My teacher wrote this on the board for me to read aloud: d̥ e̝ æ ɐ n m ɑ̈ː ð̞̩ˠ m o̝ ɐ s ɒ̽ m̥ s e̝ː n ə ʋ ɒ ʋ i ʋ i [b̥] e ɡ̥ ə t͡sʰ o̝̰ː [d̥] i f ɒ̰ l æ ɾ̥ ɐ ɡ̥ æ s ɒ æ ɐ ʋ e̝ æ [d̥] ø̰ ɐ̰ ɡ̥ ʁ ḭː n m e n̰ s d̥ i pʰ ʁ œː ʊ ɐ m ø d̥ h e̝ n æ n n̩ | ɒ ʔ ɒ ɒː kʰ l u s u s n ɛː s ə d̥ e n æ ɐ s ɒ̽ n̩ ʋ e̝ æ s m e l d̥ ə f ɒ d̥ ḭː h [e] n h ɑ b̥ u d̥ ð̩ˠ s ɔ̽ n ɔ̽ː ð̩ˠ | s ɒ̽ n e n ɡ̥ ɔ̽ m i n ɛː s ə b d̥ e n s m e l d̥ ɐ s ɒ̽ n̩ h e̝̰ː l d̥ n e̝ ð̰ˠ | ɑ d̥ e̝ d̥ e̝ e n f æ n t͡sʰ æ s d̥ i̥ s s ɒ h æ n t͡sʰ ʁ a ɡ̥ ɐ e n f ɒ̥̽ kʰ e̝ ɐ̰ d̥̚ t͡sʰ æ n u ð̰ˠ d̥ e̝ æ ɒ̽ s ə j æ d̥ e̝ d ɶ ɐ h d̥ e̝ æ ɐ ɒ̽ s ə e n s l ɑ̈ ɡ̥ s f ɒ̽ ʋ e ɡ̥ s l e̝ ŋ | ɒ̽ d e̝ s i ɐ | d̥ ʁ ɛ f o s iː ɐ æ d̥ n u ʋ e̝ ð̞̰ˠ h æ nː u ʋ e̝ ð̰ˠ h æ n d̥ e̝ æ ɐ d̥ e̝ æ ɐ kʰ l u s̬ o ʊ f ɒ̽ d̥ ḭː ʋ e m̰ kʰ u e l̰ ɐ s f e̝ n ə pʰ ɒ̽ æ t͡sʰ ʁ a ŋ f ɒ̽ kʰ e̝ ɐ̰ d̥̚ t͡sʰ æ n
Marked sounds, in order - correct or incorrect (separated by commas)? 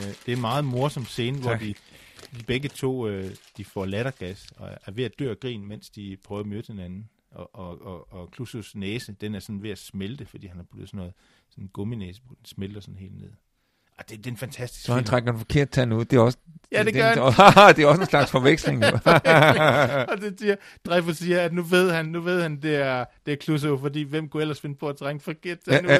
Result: correct, correct, correct, incorrect